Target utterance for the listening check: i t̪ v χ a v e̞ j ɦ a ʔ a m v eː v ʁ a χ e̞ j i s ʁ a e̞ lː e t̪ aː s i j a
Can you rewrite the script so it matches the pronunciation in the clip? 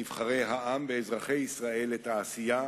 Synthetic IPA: i v χ a ʁ e̞ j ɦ a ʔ a m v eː z ʁ a χ e̞ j i s ʁ a e̞ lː e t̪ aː s i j a